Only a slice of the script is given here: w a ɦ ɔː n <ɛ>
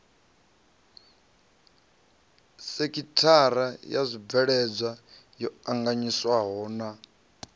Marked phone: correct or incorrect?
incorrect